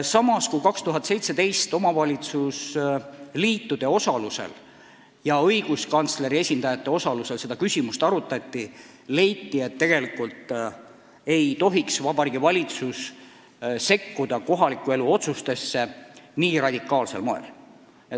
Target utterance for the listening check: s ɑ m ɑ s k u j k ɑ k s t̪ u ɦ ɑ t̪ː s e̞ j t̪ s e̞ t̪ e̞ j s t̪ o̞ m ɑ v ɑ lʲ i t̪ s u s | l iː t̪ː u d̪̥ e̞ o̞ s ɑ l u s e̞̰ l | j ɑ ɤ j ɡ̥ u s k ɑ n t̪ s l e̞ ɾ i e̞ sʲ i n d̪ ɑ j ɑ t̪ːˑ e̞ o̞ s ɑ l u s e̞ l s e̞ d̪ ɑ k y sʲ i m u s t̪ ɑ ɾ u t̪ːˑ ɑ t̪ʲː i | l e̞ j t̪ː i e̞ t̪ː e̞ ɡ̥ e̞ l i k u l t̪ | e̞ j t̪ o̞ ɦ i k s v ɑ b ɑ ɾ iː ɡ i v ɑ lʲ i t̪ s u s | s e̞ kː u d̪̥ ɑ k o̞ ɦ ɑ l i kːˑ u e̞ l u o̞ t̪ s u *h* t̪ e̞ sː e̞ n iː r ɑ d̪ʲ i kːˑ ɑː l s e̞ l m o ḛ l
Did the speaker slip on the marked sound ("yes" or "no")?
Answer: yes